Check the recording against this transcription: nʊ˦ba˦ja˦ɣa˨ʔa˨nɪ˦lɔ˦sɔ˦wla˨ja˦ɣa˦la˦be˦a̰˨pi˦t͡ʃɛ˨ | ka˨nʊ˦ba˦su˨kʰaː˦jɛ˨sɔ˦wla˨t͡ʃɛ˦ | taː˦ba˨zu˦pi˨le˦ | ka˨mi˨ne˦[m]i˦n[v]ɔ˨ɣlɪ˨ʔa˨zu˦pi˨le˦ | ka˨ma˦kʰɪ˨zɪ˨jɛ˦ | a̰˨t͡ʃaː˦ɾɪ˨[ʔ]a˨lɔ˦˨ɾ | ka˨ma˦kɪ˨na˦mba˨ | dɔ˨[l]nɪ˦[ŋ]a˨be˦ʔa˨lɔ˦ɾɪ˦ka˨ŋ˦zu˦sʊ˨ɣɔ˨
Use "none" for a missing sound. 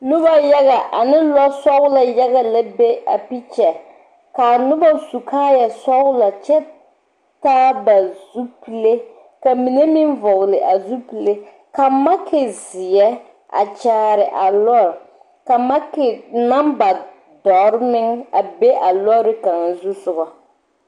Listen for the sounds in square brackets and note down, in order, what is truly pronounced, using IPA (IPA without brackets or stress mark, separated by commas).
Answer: m, v, ʔ, ɾ, ŋ